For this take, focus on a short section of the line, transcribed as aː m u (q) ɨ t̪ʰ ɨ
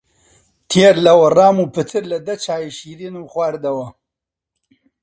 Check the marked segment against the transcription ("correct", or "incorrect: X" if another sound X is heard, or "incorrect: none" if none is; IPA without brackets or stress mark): incorrect: p